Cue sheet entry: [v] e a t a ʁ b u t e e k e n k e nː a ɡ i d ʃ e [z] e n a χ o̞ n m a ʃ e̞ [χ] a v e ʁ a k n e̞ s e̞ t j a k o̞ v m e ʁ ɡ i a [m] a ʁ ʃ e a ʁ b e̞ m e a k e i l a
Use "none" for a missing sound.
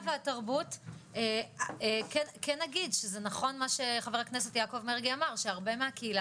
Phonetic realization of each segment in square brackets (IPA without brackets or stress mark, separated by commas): v, z, χ, m